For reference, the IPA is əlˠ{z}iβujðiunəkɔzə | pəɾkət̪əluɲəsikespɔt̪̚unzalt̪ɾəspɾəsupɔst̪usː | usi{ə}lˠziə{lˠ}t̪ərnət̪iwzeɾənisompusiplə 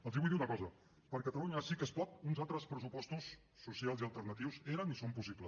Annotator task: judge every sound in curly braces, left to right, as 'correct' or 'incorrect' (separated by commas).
correct, incorrect, correct